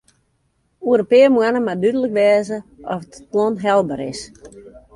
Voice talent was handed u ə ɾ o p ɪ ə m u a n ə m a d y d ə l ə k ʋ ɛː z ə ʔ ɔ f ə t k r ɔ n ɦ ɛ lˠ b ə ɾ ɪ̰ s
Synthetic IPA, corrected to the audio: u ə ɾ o p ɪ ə m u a n ə m a d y d ə l ə k ʋ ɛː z ə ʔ ɔ f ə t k l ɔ n ɦ ɛ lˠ b ə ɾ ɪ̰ s